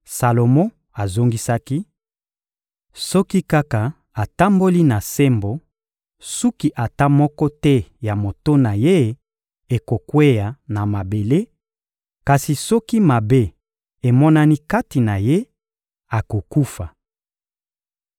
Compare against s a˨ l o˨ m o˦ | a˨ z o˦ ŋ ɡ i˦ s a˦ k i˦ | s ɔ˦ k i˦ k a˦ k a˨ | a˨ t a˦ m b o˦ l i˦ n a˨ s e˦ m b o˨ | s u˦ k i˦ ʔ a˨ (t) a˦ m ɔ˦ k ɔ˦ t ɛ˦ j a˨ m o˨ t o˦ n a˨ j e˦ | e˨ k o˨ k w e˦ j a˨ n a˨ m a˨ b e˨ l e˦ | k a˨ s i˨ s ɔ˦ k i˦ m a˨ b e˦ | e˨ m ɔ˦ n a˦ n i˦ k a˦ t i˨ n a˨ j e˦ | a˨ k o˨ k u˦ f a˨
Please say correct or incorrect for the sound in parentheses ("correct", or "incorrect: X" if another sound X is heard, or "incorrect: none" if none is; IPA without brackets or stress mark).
correct